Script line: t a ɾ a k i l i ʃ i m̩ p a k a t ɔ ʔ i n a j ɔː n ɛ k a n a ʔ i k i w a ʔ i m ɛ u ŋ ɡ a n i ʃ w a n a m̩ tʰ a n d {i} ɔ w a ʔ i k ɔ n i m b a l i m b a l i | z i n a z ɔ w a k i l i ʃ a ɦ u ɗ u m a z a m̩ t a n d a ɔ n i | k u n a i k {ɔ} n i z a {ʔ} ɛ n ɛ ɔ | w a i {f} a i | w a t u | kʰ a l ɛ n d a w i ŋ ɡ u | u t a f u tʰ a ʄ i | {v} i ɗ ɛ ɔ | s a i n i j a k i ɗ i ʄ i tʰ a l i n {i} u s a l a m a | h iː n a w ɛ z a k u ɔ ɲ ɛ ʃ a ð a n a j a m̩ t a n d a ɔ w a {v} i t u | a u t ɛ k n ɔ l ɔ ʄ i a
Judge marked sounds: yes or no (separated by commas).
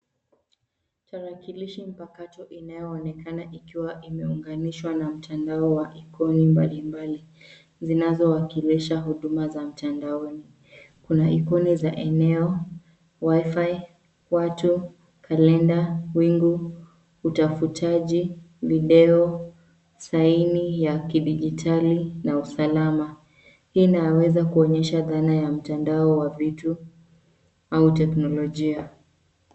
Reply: no, yes, yes, yes, yes, no, yes